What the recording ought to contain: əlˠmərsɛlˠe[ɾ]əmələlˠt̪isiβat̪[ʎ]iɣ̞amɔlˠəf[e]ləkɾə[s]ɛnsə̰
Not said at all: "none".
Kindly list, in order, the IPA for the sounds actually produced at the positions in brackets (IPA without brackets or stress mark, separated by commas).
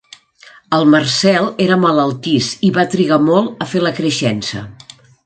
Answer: ɾ, ɾ, e, ʃ